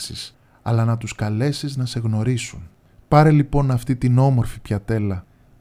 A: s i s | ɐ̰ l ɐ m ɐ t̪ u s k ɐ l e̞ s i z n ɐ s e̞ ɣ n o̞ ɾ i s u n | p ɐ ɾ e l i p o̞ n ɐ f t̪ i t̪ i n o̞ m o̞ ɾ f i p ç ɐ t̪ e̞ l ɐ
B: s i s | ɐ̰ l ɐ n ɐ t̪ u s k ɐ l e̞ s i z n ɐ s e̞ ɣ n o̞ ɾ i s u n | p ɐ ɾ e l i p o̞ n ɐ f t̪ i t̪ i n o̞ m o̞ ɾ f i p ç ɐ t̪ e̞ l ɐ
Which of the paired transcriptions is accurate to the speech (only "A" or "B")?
B